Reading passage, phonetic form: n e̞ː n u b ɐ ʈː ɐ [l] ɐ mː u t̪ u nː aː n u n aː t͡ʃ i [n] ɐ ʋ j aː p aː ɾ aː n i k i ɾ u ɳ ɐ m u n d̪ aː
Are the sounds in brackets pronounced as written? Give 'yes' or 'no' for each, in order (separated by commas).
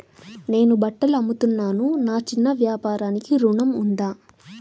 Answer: yes, no